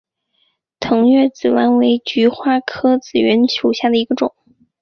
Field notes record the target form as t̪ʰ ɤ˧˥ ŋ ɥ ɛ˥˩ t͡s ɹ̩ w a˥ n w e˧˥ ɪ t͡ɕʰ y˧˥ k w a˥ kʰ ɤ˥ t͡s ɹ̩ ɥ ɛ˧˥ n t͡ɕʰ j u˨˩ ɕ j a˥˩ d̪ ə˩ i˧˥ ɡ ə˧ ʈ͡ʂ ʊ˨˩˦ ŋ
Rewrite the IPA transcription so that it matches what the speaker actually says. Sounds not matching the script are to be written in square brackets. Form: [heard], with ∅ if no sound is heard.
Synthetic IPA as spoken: t̪ʰ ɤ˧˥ ŋ ɥ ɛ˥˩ t͡s ɹ̩ w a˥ n w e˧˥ ɪ [t͡ɕ] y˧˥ [x] w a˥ kʰ ɤ˥ t͡s ɹ̩ ɥ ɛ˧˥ n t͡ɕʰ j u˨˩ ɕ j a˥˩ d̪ ə˩ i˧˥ ɡ ə˧ ʈ͡ʂ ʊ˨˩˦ ŋ

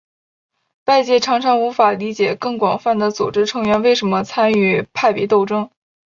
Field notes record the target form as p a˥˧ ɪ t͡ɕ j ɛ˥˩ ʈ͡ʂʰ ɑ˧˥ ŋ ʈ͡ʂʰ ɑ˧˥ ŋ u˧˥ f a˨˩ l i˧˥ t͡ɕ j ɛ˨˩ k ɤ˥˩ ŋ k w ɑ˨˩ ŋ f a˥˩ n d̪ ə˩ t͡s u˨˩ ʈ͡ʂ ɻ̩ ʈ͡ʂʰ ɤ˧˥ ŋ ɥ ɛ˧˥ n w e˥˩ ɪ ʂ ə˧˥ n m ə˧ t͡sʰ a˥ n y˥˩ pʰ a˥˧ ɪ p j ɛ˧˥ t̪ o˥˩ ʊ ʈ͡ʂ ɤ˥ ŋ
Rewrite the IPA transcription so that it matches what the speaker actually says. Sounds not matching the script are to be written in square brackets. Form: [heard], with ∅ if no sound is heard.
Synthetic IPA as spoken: p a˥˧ ɪ t͡ɕ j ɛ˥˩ ʈ͡ʂʰ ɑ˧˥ ŋ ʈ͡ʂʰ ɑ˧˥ ŋ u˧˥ f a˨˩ l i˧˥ t͡ɕ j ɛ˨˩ k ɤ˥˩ ŋ k w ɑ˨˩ ŋ f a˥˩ n d̪ ə˩ t͡s u˨˩ ʈ͡ʂ ɻ̩ ʈ͡ʂʰ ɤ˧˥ ŋ ɥ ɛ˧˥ n w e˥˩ ɪ ʂ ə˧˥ n m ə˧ t͡sʰ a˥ n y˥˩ pʰ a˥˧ ɪ p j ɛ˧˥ t̪ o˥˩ ʊ ʈ͡ʂ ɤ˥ ŋ

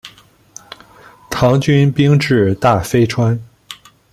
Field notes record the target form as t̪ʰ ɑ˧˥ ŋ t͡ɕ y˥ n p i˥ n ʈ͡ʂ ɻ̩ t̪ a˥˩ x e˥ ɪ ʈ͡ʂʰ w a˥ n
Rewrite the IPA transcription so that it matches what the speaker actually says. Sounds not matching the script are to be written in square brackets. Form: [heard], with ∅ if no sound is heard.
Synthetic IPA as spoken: t̪ʰ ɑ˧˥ ŋ t͡ɕ y˥ n p i˥ [ŋ] ʈ͡ʂ ɻ̩ t̪ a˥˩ [f] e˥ ɪ ʈ͡ʂʰ w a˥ n

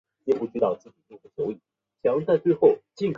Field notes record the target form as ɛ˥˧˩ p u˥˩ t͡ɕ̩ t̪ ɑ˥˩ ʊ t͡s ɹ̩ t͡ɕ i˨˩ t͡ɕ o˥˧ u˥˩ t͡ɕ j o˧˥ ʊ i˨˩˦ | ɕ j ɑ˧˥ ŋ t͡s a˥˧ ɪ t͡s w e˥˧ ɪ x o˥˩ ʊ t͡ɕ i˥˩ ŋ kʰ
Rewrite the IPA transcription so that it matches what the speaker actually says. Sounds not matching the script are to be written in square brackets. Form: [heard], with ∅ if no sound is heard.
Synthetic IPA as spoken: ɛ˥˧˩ p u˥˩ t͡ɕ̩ t̪ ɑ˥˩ ʊ t͡s ɹ̩ t͡ɕ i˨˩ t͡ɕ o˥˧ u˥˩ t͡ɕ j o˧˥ ʊ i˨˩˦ | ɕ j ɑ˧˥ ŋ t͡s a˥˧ ɪ t͡s w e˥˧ ɪ x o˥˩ ʊ t͡ɕ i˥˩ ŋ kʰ

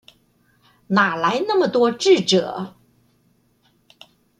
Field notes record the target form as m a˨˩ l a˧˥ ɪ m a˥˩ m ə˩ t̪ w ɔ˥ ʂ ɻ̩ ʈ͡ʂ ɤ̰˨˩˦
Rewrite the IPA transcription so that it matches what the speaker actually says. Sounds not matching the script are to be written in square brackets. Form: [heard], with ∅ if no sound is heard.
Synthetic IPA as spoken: [n] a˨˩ l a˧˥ ɪ [n] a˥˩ m ə˩ t̪ w ɔ˥ [ʈ͡ʂ] ɻ̩ ʈ͡ʂ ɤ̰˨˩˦

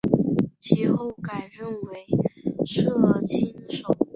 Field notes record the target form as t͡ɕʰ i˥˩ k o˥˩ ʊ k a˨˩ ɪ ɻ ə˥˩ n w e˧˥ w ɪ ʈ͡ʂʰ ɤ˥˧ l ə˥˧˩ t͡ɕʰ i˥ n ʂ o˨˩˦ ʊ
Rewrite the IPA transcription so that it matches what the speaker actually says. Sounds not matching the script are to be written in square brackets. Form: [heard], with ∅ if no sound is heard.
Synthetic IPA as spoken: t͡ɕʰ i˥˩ [x] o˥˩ ʊ k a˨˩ ɪ ɻ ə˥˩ n w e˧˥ [∅] ɪ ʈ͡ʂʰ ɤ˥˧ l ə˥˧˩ t͡ɕʰ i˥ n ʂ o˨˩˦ ʊ

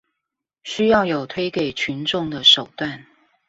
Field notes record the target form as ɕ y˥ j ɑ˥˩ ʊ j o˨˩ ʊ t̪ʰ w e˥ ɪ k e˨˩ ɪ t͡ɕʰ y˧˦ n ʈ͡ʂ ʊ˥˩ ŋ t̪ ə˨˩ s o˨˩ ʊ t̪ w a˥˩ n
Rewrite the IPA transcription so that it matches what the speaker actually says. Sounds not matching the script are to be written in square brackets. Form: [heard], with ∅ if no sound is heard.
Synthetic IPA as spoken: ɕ y˥ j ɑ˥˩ ʊ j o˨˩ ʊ t̪ʰ w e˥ ɪ k e˨˩ ɪ t͡ɕʰ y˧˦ n ʈ͡ʂ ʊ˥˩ ŋ [d̪] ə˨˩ [ʂ] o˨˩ ʊ t̪ w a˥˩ n

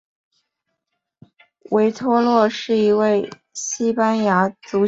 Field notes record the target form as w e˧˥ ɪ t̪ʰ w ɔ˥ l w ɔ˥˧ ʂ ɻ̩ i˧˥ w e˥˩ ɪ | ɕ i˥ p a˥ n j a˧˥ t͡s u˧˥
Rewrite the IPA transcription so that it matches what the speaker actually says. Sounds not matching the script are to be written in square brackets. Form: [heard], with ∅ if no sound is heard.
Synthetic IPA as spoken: w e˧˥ ɪ t̪ʰ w ɔ˥ l w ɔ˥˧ ʂ ɻ̩ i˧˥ w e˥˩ ɪ | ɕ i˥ p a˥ n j a˧˥ t͡s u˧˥

